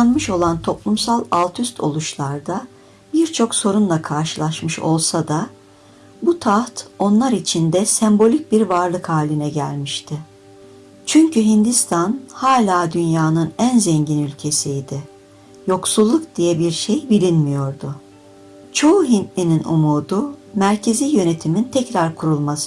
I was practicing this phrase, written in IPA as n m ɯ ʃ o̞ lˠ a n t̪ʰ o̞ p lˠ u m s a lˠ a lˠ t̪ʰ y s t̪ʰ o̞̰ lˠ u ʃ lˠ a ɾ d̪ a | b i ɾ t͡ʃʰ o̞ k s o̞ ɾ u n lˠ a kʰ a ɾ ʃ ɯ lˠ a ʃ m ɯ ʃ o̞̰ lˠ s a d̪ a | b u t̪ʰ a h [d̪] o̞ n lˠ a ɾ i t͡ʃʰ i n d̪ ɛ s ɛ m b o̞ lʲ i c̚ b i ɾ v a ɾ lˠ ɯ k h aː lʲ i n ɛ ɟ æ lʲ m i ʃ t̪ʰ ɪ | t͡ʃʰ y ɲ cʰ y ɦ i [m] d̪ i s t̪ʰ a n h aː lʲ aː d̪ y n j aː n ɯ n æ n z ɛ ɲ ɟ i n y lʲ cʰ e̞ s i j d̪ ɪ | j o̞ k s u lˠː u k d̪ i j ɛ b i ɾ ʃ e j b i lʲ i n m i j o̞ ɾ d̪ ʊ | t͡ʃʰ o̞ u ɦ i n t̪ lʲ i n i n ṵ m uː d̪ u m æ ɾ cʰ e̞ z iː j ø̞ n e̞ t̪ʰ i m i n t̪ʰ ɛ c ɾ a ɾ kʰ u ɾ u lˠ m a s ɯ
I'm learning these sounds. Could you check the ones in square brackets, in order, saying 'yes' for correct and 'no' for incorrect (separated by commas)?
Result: no, no